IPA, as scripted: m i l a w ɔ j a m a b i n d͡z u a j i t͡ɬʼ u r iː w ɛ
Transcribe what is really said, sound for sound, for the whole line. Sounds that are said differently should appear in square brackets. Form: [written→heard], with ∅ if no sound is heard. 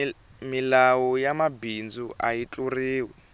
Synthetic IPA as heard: m i l a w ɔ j a m a b i n d͡z u a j i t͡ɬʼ u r iː w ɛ